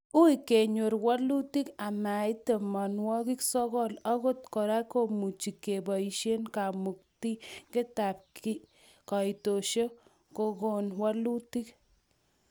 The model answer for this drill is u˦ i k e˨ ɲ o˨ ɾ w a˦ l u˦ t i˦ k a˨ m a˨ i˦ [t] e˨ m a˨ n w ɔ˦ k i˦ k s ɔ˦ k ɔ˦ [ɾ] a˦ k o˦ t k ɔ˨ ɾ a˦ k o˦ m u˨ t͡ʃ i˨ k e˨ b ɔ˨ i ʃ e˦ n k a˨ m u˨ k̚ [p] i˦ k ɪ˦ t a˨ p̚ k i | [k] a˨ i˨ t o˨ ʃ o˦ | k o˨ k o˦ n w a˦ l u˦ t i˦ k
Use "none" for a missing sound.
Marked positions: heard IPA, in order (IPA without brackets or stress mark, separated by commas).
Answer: t, l, t, k